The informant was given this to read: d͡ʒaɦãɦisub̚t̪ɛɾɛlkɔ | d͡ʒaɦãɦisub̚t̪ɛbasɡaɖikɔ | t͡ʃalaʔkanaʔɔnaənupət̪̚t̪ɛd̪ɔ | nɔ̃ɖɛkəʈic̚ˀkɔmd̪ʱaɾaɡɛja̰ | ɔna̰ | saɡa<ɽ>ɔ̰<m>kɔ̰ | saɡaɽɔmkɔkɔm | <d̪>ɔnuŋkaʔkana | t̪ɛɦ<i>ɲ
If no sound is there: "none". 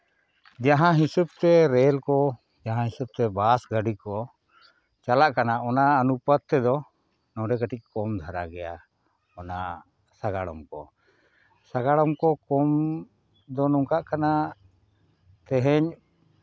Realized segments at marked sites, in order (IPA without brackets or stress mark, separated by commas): ɽ, m, d̪, ɛ